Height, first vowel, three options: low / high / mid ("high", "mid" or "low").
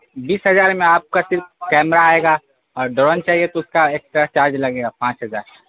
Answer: high